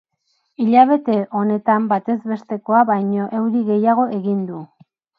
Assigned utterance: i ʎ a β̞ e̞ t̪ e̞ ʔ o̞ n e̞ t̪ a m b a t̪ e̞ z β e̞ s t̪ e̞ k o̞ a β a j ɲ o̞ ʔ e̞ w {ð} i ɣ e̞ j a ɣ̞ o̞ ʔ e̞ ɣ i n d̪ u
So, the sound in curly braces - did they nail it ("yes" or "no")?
yes